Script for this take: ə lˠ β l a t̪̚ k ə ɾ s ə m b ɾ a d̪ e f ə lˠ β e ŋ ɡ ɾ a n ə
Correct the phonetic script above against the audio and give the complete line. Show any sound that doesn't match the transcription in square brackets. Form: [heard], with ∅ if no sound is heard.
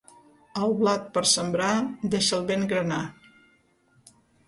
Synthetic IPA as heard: ə lˠ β l a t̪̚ [p] ə ɾ s ə m b ɾ a d̪ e [ʃ] ə lˠ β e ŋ ɡ ɾ [ə] n [a]